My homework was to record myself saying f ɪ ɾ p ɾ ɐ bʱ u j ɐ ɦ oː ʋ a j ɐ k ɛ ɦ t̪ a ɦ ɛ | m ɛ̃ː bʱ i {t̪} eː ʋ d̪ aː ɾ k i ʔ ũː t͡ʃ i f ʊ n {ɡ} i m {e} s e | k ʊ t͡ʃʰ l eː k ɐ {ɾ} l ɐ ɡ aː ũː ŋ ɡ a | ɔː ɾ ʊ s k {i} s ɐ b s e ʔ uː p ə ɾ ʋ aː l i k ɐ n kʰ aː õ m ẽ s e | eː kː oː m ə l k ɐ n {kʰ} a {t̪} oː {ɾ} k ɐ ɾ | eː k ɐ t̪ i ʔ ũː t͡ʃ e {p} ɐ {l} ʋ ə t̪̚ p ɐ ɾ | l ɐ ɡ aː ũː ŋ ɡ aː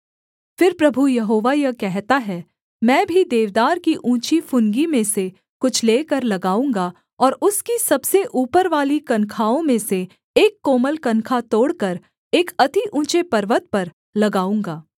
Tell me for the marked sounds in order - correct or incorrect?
incorrect: d̪, correct, incorrect: ẽ, correct, correct, correct, correct, incorrect: ɽ, correct, incorrect: ɾ

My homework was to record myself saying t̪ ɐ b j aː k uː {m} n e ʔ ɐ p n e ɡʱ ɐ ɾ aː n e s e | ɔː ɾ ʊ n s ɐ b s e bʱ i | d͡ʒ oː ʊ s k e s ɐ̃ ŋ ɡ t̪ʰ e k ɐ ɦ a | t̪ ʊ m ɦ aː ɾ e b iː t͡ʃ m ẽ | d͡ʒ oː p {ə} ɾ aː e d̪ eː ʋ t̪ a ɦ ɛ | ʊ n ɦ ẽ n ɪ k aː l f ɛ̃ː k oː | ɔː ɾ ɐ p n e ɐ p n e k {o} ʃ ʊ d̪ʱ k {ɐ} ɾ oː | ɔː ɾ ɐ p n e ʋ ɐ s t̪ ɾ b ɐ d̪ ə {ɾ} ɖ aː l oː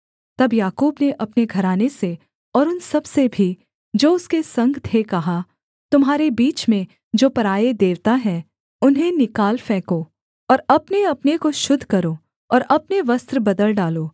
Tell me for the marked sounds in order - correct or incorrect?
incorrect: b, incorrect: ɐ, correct, correct, incorrect: l

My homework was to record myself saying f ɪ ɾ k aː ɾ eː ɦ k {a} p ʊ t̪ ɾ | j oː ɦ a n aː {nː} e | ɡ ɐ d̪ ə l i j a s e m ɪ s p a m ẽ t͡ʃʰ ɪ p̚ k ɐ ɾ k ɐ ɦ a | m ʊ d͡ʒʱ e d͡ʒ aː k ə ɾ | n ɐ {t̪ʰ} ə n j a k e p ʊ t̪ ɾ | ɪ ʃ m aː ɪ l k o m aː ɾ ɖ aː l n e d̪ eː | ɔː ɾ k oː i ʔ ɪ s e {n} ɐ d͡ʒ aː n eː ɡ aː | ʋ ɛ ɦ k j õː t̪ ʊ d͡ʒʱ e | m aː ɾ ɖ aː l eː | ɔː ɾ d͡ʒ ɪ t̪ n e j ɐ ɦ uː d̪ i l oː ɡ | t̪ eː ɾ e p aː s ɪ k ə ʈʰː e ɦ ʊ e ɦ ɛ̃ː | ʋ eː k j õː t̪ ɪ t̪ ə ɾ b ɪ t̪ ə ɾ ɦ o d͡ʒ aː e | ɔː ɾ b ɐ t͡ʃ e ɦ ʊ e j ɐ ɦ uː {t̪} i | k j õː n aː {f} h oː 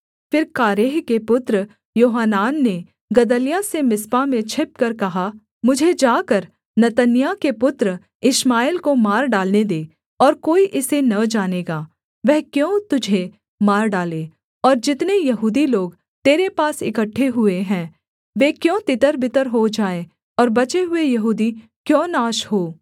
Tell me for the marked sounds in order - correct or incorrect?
incorrect: e, correct, incorrect: t̪, correct, incorrect: d̪, incorrect: ʃ

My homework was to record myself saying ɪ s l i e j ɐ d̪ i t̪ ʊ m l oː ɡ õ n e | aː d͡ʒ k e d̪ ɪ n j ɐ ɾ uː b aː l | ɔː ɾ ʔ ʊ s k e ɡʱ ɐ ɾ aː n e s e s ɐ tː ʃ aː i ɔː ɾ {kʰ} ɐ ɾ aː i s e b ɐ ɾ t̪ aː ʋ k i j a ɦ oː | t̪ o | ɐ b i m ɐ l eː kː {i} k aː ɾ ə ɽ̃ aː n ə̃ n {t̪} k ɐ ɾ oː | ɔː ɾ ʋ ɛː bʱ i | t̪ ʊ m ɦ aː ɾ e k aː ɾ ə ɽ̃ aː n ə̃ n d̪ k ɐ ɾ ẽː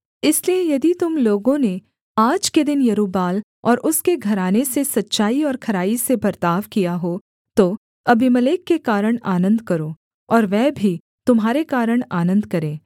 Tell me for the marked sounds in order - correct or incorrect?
correct, incorrect: e, incorrect: d̪

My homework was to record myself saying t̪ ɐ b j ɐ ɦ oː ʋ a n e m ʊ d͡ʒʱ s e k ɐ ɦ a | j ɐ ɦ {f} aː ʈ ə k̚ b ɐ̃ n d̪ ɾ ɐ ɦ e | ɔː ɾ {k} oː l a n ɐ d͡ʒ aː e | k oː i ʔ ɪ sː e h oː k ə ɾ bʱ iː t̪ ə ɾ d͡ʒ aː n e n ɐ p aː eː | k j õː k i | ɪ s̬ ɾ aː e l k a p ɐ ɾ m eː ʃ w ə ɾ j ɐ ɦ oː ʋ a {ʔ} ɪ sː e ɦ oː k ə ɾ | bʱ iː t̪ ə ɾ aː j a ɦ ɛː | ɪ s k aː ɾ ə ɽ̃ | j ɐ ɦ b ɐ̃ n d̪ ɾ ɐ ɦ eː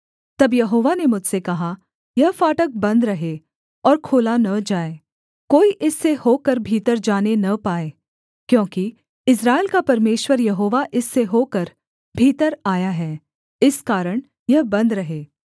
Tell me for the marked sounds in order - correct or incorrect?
correct, incorrect: kʰ, correct

